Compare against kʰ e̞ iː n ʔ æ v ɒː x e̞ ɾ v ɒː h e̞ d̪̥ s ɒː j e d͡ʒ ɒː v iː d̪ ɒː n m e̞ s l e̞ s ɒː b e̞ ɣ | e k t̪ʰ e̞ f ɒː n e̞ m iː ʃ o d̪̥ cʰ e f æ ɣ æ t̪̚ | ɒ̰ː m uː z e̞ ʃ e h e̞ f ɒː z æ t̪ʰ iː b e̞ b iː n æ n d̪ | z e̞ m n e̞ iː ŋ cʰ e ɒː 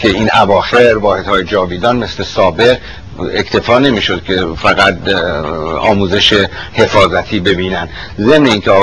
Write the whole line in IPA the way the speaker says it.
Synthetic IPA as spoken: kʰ e̞ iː n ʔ æ v ɒː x e̞ ɾ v ɒː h e̞ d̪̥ h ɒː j e d͡ʒ ɒː v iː d̪ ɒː n m e̞ s l e̞ s ɒː b e̞ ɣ | e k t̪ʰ e̞ f ɒː n e̞ m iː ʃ o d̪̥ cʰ e f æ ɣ æ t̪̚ | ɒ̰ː m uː z e̞ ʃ e h e̞ f ɒː z æ t̪ʰ iː b e̞ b iː n æ n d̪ | z e̞ m n e̞ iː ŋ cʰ e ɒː